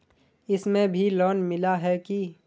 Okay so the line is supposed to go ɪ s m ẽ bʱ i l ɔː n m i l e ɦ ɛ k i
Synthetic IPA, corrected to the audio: ɪ s m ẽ bʱ i l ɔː n m ɪ l a ɦ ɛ k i

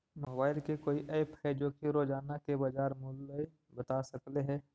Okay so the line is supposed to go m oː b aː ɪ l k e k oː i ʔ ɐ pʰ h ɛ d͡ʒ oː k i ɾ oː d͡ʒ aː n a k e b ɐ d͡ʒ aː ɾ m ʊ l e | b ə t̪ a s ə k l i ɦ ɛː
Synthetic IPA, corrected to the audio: m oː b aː ɪ l k e k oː i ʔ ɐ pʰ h ɛ d͡ʒ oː k i ɾ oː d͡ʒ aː n a k e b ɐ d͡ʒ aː ɾ m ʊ l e | b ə t̪ a s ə k l e ɦ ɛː

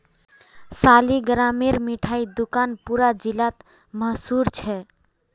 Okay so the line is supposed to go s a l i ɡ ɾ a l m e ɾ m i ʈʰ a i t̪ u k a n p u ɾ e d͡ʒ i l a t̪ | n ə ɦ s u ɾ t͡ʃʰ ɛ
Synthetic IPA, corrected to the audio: s a l i ɡ ɾ a m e ɾ m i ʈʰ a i d̪ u k a n p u ɾ a d͡ʒ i l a t̪ | m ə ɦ s u ɾ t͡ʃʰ ɛ

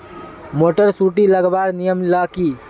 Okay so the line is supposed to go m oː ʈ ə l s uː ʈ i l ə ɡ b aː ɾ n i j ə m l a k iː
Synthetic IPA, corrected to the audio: m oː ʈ ə ɾ s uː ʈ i l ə ɡ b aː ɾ n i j ə m l a k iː

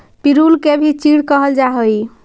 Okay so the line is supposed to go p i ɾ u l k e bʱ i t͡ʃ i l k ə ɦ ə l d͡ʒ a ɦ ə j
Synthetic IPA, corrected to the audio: p i ɾ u l k e bʱ i t͡ʃ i ɽ k ə ɦ ə l d͡ʒ a ɦ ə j

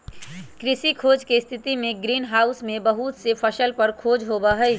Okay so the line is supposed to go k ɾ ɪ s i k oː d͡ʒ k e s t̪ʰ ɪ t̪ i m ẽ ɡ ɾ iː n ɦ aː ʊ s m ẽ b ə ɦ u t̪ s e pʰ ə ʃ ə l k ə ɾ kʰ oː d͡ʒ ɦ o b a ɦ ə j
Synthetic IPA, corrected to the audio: k ɾ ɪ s i kʰ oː d͡ʒ k e s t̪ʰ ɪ t̪ i m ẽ ɡ ɾ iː n ɦ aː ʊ s m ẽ b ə ɦ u t̪ s e pʰ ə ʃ ə l p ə ɾ kʰ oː d͡ʒ ɦ o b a ɦ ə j

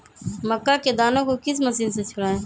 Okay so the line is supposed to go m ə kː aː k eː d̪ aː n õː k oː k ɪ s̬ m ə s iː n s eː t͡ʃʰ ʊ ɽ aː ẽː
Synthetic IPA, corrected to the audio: m ə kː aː k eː d̪ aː n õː k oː k ɪ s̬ m ə s iː n s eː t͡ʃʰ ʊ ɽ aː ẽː

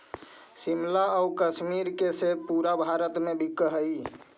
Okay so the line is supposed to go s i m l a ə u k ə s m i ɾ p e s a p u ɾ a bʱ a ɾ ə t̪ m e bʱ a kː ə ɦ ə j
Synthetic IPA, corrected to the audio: s i m l a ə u k ə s m i ɾ k e s e p u ɾ a bʱ a ɾ ə t̪ m e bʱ i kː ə ɦ ə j

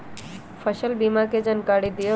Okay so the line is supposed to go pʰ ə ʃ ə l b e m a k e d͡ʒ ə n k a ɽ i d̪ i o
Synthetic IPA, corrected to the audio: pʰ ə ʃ ə l b i m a k e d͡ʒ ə n k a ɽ i d̪ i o

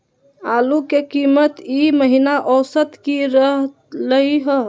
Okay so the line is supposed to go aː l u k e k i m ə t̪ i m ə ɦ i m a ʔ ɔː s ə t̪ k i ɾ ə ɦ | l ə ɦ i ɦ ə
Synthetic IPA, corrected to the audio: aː l u k e k i m ə t̪ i m ə ɦ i n a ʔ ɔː s ə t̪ k i ɾ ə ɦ | l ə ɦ i ɦ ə

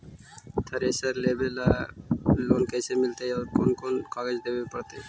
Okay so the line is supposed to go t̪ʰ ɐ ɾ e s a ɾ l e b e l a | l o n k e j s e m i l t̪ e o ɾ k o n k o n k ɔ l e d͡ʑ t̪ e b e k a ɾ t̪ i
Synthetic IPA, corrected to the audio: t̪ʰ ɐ ɾ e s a ɾ l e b e l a | l o n k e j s e m i l t̪ e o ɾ k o n k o n k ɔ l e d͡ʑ d̪ e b e p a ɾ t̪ e

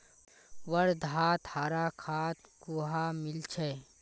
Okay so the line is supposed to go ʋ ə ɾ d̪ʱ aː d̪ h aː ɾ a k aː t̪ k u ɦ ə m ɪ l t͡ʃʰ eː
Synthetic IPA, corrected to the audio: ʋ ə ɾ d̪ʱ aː t̪ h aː ɾ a kʰ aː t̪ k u ɦ a m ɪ l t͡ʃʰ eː

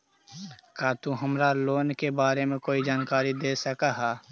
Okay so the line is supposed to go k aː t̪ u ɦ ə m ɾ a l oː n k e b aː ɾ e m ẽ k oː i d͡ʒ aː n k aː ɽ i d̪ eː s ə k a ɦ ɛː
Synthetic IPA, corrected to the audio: k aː t̪ u ɦ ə m ɾ a l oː n k e b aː ɾ e m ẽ k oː i d͡ʒ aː n k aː ɾ i d̪ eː s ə k a ɦ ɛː

